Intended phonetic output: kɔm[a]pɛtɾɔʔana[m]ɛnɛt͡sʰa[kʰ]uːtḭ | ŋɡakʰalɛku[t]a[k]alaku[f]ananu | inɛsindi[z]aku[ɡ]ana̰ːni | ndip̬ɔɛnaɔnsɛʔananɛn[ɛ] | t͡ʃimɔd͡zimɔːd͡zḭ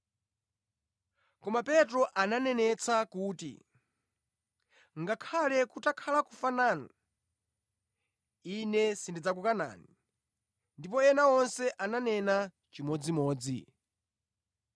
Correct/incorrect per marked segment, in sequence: correct, incorrect, incorrect, correct, incorrect, correct, incorrect, incorrect, incorrect

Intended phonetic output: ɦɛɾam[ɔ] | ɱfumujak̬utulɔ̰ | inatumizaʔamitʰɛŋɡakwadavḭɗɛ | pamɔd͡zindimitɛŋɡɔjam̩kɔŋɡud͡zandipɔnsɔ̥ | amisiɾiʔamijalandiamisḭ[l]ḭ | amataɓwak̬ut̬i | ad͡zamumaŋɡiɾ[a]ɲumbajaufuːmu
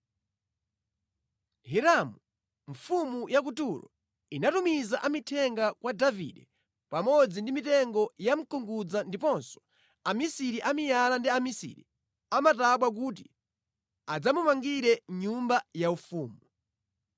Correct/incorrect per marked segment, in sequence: incorrect, incorrect, incorrect

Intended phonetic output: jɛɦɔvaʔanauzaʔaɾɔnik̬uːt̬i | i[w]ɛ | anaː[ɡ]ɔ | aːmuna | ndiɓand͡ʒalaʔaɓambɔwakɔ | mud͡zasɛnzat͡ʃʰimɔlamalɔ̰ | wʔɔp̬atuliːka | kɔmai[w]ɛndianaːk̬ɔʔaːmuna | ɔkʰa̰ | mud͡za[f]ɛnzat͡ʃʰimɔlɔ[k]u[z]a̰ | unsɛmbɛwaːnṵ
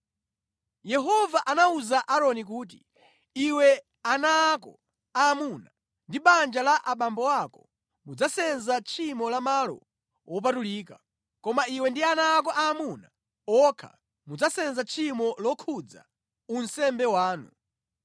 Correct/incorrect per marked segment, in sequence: correct, incorrect, correct, incorrect, incorrect, incorrect

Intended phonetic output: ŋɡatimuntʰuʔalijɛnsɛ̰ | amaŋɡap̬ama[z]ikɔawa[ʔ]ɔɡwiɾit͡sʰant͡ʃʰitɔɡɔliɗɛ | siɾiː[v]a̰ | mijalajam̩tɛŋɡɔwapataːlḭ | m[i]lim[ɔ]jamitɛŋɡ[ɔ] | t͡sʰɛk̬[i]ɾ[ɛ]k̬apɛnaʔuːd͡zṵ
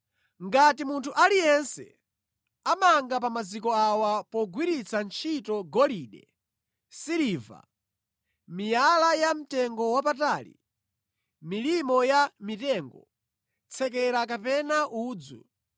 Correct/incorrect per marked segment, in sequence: correct, incorrect, correct, correct, correct, correct, incorrect, incorrect

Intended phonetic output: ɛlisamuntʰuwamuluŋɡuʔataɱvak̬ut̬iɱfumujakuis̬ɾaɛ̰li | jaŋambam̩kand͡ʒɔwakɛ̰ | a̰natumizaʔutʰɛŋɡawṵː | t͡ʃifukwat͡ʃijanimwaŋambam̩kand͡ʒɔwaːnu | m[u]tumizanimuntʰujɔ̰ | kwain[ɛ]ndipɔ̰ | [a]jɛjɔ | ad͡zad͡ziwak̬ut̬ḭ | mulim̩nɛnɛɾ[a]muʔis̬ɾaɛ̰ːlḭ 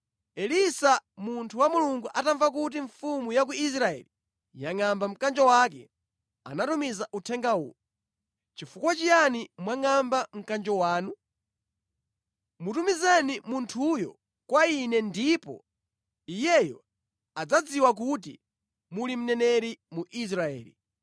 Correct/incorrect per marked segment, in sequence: correct, correct, incorrect, incorrect

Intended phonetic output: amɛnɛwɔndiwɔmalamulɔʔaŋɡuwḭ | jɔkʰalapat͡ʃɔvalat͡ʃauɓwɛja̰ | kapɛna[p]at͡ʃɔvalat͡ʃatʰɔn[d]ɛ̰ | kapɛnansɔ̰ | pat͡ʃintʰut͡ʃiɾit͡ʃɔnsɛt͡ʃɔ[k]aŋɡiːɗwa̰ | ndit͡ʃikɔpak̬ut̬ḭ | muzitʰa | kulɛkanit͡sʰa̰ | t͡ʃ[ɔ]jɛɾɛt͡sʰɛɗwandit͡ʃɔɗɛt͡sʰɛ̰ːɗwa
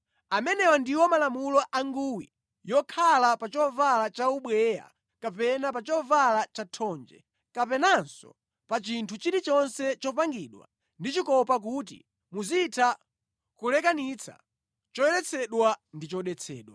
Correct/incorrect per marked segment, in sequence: correct, incorrect, incorrect, correct

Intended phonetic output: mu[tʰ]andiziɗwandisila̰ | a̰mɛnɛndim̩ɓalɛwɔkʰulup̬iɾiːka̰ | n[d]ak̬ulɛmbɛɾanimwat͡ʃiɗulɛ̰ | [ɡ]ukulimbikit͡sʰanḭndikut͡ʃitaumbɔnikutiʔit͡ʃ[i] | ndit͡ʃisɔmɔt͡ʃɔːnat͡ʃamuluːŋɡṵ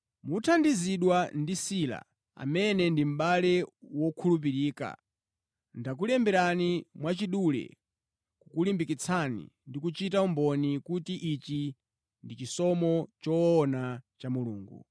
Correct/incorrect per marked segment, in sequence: correct, correct, incorrect, correct

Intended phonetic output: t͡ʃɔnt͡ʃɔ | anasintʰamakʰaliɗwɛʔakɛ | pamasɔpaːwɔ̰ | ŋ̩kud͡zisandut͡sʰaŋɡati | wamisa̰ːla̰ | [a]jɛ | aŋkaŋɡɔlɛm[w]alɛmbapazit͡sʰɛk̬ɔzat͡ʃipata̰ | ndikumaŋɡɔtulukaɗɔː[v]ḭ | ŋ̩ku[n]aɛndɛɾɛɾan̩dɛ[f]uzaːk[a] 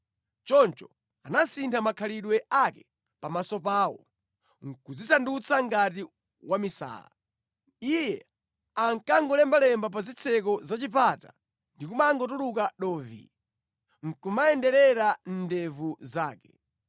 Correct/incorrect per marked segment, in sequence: incorrect, incorrect, correct, incorrect, incorrect, incorrect

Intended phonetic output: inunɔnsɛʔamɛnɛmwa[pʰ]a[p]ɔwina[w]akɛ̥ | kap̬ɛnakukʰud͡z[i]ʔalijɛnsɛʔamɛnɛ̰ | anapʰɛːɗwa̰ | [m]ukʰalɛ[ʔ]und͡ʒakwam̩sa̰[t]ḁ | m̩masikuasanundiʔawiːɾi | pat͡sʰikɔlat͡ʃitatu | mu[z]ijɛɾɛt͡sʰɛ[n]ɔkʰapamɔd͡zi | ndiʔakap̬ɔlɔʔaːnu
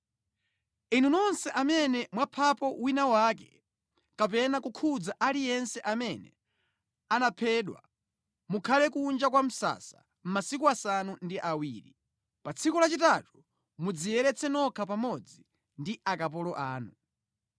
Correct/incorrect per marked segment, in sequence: correct, correct, correct, incorrect, correct, incorrect, incorrect, incorrect, correct

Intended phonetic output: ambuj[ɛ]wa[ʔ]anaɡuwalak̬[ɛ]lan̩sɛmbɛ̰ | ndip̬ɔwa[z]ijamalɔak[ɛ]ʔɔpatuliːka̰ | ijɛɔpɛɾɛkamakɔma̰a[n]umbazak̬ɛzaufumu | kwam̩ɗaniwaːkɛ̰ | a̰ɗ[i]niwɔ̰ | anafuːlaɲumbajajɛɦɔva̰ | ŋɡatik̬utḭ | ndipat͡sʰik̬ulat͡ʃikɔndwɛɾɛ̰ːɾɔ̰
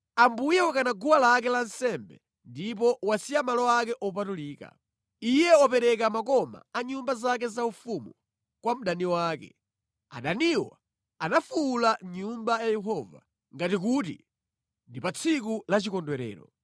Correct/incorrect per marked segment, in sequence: correct, incorrect, correct, incorrect, correct, incorrect, incorrect

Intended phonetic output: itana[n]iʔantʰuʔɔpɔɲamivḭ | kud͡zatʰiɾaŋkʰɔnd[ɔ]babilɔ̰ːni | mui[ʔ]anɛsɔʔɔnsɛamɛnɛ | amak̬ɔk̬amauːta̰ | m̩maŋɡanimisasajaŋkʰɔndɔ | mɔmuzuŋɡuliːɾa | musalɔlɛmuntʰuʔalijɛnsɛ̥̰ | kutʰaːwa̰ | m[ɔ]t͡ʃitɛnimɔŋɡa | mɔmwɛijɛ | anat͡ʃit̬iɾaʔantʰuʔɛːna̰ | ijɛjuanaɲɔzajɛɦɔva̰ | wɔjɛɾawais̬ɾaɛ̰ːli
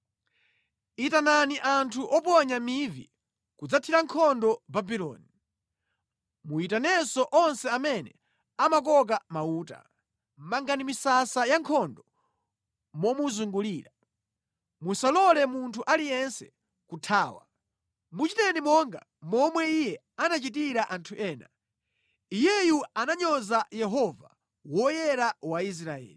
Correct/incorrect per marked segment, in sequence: correct, correct, incorrect, incorrect

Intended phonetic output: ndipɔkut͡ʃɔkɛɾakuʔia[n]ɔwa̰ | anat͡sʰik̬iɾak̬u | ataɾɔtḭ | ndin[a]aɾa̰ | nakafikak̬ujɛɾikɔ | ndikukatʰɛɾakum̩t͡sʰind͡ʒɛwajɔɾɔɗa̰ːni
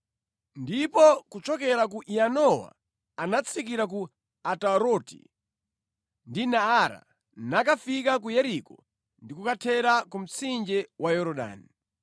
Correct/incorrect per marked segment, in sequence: correct, correct

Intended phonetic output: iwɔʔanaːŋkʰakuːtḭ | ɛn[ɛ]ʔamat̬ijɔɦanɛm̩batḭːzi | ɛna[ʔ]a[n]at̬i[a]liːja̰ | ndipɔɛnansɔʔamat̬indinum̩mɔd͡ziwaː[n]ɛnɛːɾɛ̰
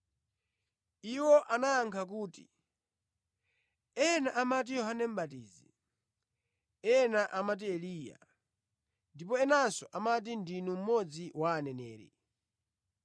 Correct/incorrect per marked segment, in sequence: incorrect, correct, incorrect, incorrect, correct

